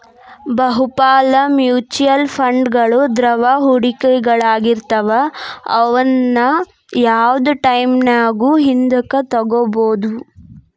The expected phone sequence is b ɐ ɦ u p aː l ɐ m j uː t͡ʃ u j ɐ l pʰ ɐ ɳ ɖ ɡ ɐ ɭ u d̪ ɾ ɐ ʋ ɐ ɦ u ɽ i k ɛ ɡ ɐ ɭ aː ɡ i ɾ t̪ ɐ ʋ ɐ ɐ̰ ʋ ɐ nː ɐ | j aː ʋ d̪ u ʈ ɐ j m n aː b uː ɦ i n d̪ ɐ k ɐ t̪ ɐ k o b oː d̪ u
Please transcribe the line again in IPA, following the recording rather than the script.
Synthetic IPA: b ɐ ɦ u p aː l ɐ m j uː t͡ʃ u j ɐ l pʰ ɐ ɳ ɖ ɡ ɐ ɭ u d̪ ɾ ɐ ʋ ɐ ɦ u ɽ i k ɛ ɡ ɐ ɭ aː ɡ i ɾ t̪ ɐ ʋ ɐ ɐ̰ ʋ ɐ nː ɐ | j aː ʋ d̪ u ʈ ɐ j m n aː ɡ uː ɦ i n d̪ ɐ k ɐ t̪ ɐ ɡ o b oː d̪ u